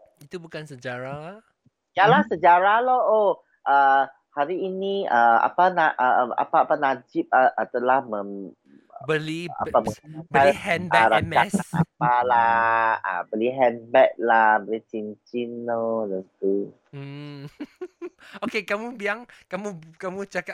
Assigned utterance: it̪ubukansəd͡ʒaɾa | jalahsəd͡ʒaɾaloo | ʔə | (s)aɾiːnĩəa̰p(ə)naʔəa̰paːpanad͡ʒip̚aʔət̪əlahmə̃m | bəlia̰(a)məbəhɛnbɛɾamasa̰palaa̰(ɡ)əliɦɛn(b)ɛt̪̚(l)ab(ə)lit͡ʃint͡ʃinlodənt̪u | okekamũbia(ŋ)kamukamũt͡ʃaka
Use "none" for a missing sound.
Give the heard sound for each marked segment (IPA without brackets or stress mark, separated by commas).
h, a, a, b, b, l, ə, ŋ